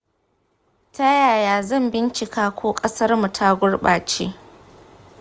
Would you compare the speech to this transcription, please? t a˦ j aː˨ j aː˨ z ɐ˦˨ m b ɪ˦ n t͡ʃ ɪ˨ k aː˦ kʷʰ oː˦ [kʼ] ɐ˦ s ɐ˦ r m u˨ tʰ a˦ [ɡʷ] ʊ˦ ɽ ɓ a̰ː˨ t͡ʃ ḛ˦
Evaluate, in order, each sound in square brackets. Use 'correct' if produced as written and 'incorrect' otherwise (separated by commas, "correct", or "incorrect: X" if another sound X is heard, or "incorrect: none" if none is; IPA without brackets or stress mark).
correct, correct